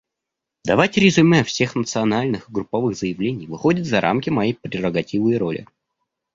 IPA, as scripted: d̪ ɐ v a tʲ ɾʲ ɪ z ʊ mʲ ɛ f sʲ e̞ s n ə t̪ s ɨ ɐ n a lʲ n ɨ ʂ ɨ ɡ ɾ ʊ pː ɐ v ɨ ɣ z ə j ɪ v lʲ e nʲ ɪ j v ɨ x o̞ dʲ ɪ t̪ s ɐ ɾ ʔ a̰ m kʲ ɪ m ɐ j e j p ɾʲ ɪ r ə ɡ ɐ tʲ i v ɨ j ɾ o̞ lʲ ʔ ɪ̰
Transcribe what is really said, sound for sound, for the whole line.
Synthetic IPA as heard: d̪ ɐ v a tʲ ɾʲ ɪ z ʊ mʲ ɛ f sʲ e̞ x n ə t̪ s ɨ ɐ n a lʲ n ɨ x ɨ ɡ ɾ ʊ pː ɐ v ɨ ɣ z ə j ɪ v lʲ e nʲ ɪ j v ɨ x o̞ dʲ ɪ t̪ z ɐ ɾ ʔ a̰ m kʲ ɪ m ɐ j e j p ɾʲ ɪ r ə ɡ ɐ tʲ i v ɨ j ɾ o̞ lʲ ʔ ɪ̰